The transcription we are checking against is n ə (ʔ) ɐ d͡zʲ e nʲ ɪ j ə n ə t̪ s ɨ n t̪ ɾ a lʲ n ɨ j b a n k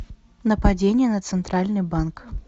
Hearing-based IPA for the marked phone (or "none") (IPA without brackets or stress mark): p